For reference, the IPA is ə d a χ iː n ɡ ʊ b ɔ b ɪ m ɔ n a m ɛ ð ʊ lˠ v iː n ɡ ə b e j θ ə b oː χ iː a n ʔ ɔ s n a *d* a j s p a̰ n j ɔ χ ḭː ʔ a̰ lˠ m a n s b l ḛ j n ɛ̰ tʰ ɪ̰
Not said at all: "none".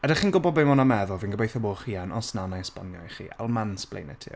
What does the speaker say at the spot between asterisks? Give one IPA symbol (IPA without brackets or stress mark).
n